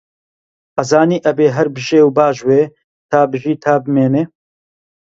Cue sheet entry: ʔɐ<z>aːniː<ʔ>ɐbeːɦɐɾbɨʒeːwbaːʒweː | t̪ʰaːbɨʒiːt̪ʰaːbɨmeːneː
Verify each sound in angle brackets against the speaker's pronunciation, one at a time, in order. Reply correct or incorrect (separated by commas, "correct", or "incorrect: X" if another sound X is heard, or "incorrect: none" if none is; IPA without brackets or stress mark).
correct, correct